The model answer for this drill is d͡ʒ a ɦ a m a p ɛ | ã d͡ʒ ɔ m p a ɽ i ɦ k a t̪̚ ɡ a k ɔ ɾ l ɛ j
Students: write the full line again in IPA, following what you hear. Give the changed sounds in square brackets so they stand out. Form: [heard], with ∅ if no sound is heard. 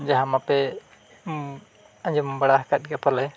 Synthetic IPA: d͡ʒ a ɦ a m a p ɛ | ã d͡ʒ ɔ m [b] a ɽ [a] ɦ k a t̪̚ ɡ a [p] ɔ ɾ l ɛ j